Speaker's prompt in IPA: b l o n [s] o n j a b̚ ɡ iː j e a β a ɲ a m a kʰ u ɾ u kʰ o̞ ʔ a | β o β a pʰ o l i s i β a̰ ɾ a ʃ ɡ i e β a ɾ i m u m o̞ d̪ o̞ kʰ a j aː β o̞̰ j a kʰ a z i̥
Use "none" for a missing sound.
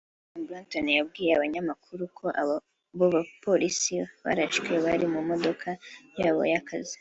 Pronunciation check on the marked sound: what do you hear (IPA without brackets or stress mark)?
t